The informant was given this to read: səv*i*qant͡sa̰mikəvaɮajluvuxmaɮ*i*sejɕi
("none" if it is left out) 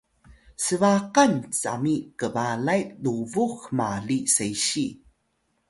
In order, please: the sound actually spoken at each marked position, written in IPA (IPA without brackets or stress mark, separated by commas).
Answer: a, i